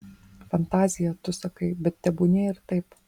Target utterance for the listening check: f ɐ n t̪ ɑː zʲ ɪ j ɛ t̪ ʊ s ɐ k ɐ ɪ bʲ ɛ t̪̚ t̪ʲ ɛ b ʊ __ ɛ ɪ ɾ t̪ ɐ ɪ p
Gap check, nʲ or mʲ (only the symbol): nʲ